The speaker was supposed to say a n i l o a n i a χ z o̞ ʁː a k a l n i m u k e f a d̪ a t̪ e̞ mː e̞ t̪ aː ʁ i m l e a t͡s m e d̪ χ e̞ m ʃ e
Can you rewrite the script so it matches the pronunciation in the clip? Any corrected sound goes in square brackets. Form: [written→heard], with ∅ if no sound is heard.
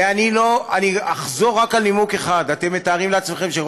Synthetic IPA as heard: a n i l o a n i a χ z o̞ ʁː a k a l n i m u k e [f→χ] a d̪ a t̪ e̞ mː e̞ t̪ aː ʁ i m l e a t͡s m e [d̪→∅] χ e̞ m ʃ e

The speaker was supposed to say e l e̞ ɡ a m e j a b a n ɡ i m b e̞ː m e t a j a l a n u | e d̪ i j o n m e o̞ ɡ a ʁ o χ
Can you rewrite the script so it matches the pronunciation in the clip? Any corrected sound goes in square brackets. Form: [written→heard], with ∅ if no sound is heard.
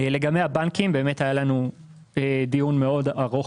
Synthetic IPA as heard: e l e̞ ɡ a m e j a b a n [ɡ→k] i m b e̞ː m e t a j a l a n u | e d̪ i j [o→u] n m e o̞ [ɡ→d] a ʁ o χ

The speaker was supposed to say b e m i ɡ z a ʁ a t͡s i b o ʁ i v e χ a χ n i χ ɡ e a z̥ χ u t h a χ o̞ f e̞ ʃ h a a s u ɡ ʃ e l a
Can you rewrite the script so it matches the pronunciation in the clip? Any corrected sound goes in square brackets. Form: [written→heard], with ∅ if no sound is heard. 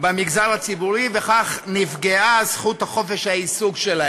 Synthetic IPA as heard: b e m i ɡ z a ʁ a t͡s i b [o→u] ʁ i v e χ a χ n i [χ→f] ɡ e a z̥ χ u t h a χ o̞ f e̞ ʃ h a [a→i] s u ɡ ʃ e l a

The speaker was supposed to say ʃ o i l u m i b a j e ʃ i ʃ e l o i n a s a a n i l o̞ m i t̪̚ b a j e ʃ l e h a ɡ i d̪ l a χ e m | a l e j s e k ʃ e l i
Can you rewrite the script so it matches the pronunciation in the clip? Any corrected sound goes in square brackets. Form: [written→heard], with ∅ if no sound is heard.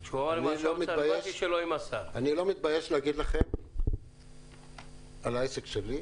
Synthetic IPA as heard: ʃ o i l [u→o] m i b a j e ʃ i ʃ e l o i [n→m] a s a a n i l o̞ m i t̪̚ b a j e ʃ l e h a ɡ i d̪ l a χ e m | a l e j s e k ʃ e l i

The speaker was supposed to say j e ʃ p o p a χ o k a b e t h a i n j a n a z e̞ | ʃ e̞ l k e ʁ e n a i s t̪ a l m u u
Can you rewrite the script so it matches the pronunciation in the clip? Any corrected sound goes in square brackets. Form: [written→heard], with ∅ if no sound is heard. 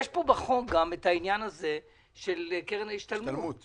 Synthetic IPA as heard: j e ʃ p o [p→b] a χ o [k→ɡ] a [b→m] e t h a i n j a n a z e̞ | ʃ e̞ l k e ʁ e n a i [s→ʃ] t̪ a l m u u

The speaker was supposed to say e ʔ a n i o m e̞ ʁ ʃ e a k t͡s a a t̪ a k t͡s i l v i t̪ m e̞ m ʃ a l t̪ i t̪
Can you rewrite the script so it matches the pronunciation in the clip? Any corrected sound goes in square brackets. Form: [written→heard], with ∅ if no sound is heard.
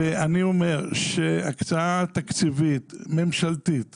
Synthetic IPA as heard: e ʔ a n i o m e̞ ʁ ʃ e a k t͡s a a t̪ a k t͡s i [l→∅] v i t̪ m e̞ m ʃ a l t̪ i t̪

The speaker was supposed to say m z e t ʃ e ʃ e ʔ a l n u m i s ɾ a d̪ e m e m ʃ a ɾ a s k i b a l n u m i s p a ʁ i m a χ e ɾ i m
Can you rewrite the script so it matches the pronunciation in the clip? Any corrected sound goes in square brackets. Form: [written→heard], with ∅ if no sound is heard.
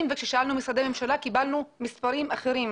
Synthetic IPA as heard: m [z→v] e [t→k] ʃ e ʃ [e→a] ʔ a l n u m i s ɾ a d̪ e m e m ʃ a [ɾ→l] a [s→∅] k i b a l n u m i s p a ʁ i m a χ e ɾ i m

